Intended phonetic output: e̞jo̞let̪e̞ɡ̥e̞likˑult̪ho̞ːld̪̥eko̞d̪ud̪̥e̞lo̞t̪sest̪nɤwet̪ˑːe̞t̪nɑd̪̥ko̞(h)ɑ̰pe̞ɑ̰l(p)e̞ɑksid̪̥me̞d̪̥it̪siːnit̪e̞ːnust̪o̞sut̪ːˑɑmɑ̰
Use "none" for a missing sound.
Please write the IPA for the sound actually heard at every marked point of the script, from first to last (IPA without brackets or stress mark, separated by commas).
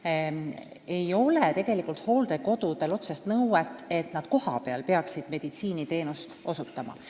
h, p